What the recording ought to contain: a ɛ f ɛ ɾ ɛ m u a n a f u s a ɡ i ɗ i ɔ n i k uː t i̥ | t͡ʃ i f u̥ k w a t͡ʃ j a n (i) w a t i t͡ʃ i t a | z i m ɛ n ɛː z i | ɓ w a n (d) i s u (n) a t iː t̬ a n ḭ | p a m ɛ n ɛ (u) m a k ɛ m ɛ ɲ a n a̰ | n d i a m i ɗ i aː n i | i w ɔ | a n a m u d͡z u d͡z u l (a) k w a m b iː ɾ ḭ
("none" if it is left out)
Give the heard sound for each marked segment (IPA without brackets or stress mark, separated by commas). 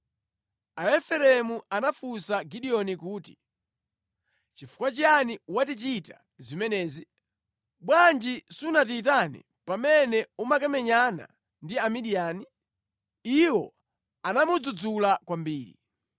i, d͡ʒ, n, u, a